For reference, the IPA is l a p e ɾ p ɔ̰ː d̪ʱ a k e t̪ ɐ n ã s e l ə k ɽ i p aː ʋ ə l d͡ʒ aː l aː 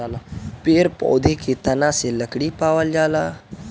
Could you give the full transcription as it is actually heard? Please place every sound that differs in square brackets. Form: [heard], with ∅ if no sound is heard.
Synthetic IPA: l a p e ɾ p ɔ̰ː d̪ʱ [e] k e t̪ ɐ n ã s e l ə k ɽ i p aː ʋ ə l d͡ʒ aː l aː